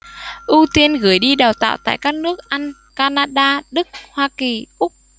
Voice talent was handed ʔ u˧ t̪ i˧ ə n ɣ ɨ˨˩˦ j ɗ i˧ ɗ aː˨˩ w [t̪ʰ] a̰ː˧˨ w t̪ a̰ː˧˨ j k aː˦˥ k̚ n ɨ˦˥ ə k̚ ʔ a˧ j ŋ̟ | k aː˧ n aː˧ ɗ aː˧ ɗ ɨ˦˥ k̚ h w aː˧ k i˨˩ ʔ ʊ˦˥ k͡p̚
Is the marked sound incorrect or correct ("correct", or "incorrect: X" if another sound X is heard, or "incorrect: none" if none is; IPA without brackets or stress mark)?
incorrect: t̪